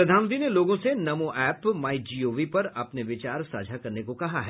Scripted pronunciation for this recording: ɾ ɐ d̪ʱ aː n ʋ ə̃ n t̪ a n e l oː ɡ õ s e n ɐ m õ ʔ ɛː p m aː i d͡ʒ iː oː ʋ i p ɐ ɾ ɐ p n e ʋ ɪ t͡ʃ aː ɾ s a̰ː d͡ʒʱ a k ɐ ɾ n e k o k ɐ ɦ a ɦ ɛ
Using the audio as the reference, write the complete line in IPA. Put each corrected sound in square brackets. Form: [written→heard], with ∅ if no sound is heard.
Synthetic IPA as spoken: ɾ ɐ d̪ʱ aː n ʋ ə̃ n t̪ [a→i] n e l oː ɡ õ s e n ɐ m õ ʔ ɛː p m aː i d͡ʒ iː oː ʋ i p ɐ ɾ ɐ p n e ʋ ɪ t͡ʃ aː ɾ s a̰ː d͡ʒʱ a k ɐ ɾ n e k o k ɐ ɦ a ɦ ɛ

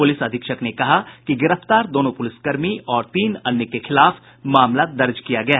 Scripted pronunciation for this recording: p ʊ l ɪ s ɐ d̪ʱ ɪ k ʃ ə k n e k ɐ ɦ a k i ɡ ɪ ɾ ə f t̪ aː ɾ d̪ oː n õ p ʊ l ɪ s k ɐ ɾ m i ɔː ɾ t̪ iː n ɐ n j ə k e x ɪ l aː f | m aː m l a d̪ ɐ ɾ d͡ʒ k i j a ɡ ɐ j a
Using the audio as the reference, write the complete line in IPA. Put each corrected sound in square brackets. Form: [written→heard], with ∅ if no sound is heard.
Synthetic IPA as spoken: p ʊ l ɪ s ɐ d̪ʱ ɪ k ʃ ə k n e k ɐ ɦ a k i ɡ ɪ ɾ ə f t̪ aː ɾ d̪ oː n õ p ʊ l ɪ s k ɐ ɾ m i ɔː ɾ t̪ iː n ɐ n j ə k e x ɪ l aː f | m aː m l a d̪ ɐ ɾ d͡ʒ k i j a ɡ ɐ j a

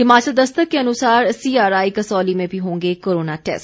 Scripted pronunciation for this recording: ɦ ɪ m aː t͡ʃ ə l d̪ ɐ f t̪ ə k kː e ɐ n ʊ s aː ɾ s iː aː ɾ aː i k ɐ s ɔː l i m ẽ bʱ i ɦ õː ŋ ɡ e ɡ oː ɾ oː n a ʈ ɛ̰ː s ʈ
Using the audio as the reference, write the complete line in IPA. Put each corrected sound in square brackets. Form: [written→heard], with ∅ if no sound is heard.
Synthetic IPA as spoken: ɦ ɪ m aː t͡ʃ ə l d̪ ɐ [f→s] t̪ ə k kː e ɐ n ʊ s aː ɾ s iː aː ɾ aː i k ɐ s ɔː l i m ẽ bʱ i ɦ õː ŋ ɡ e [ɡ→k] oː ɾ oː n a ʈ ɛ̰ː s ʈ

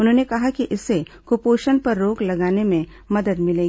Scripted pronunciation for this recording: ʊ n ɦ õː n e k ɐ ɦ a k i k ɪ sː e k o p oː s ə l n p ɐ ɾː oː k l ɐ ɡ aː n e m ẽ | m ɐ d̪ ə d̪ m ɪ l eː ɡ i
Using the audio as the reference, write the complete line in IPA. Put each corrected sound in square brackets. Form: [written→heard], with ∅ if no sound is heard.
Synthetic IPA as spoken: ʊ n ɦ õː n e k ɐ ɦ a k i [k→ʔ] ɪ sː e k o p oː [s→ʃ] ə [l→∅] n p ɐ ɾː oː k l ɐ ɡ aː n e m ẽ | m ɐ d̪ ə d̪ m ɪ l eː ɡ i

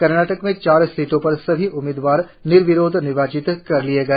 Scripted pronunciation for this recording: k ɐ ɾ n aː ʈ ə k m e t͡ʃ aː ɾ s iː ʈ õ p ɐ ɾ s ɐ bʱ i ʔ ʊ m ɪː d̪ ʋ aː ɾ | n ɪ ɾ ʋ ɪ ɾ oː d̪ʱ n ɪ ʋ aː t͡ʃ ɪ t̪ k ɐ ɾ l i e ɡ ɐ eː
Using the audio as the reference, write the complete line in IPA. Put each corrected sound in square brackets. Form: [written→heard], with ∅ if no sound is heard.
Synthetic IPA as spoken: k ɐ ɾ n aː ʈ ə k m [e→ẽ] t͡ʃ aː ɾ s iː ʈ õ p ɐ ɾ s ɐ bʱ i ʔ ʊ m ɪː d̪ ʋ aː ɾ | n ɪ ɾ ʋ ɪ ɾ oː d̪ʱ n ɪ ʋ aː t͡ʃ ɪ t̪ k ɐ ɾ l i e ɡ ɐ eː

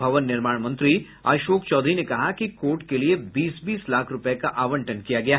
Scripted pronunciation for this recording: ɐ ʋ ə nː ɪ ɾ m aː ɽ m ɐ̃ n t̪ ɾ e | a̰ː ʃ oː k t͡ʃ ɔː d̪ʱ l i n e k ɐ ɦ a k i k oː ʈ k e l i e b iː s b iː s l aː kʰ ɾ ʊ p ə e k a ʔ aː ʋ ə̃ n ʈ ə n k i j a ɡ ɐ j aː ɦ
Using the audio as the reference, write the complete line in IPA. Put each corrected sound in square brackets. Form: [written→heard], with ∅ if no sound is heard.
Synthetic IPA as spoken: ɐ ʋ ə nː ɪ ɾ m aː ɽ m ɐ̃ n t̪ ɾ [e→i] | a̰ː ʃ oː k t͡ʃ ɔː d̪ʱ [l→ɾ] i n e k ɐ ɦ a k i k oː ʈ k e l i e b iː s b iː s l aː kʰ ɾ ʊ p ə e k a ʔ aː ʋ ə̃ [n→ɳ] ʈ ə n k i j a ɡ ɐ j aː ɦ

